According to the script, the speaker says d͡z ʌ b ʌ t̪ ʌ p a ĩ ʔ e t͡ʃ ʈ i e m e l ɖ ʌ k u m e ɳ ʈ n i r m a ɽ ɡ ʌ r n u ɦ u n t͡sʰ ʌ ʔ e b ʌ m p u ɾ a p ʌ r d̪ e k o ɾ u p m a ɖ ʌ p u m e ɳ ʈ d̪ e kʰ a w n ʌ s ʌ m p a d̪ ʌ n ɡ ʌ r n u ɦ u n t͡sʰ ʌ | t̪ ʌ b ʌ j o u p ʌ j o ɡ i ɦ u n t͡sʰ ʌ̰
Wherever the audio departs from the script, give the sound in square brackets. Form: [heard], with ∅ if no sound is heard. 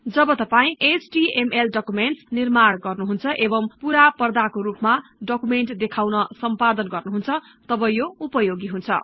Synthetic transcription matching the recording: d͡z ʌ b ʌ t̪ ʌ p a ĩ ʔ e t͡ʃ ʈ i e m e l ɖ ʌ k u m e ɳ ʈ n i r m a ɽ ɡ ʌ r n u ɦ u n t͡sʰ ʌ ʔ e b ʌ m p u ɾ a p ʌ r d̪ [a] k o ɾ u p m a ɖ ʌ [k] u m e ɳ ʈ d̪ e kʰ a w n ʌ s ʌ m p a d̪ ʌ n ɡ ʌ r n u ɦ u n t͡sʰ ʌ | t̪ ʌ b ʌ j o u p ʌ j o ɡ i ɦ u n t͡sʰ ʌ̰